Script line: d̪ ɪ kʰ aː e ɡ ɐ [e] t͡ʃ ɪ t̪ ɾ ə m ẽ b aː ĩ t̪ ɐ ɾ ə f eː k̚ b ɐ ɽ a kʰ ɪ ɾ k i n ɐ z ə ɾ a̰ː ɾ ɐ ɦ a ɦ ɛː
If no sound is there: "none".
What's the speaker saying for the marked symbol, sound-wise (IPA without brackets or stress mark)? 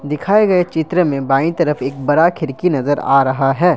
e